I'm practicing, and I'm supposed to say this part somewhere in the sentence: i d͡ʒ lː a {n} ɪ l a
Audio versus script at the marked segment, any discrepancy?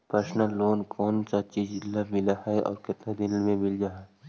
yes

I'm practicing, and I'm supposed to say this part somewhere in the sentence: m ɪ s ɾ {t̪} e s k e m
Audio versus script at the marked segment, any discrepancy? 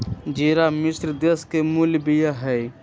yes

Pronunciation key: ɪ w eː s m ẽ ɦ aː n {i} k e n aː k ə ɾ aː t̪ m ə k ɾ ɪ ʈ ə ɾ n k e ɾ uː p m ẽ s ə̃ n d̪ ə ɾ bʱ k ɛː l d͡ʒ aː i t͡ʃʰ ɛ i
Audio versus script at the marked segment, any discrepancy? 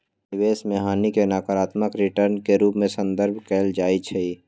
no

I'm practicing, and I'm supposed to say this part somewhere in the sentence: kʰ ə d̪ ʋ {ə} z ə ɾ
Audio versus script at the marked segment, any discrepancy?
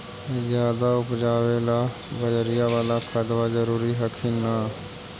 yes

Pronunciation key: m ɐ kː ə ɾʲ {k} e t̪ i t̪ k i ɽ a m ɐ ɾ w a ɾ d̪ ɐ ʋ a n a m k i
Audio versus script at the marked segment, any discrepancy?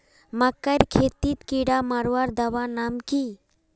yes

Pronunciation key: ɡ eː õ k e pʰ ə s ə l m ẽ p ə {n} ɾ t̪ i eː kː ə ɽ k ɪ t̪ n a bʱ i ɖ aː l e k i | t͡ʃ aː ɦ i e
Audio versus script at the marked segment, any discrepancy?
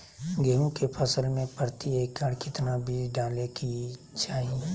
yes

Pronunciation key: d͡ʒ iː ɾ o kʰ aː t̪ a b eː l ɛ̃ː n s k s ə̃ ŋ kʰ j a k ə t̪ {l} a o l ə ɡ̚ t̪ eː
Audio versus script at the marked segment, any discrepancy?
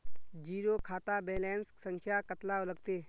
no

